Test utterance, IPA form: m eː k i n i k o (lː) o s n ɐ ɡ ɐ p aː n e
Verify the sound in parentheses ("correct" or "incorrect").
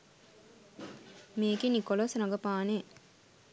incorrect